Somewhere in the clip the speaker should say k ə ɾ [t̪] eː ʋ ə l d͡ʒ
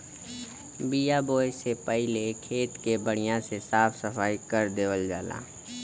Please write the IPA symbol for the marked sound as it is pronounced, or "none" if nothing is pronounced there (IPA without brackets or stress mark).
d̪